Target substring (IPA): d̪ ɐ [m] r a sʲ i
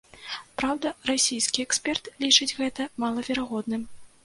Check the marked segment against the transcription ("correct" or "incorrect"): incorrect